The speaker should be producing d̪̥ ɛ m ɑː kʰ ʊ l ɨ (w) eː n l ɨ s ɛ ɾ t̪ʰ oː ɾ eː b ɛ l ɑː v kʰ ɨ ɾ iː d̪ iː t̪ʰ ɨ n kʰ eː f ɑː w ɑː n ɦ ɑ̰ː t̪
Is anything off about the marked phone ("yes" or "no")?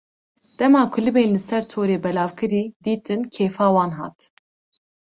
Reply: yes